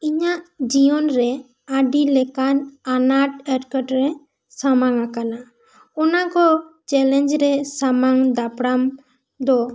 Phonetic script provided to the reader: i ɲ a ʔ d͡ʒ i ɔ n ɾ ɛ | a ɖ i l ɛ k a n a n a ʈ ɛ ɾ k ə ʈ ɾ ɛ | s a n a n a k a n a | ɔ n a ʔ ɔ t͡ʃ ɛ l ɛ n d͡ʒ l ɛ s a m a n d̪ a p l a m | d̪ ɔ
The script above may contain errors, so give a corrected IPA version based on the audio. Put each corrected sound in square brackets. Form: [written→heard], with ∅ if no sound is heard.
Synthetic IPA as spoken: i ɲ a ʔ d͡ʒ i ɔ n ɾ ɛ | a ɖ i l ɛ k a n a n a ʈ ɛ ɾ k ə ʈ ɾ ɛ | s a [n→m] a [n→ŋ] a k a n a | ɔ n a [ʔ→k] ɔ t͡ʃ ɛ l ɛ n d͡ʒ [l→ɾ] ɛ s a m a [n→ŋ] d̪ a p [l→ɽ] a m | d̪ ɔ